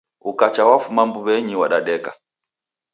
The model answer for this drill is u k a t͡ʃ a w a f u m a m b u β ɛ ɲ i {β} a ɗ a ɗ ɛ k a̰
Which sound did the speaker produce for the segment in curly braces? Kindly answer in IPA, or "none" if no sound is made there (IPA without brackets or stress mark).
w